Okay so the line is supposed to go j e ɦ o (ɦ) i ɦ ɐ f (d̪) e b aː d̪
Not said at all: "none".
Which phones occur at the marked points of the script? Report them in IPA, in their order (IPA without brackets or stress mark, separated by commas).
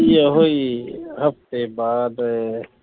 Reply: none, t̪